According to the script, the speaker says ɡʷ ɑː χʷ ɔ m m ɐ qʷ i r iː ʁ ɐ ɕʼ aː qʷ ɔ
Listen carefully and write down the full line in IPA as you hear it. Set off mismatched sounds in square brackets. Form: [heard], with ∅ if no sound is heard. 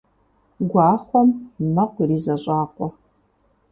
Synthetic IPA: ɡʷ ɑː χʷ ɔ m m ɐ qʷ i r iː [z] ɐ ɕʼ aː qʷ ɔ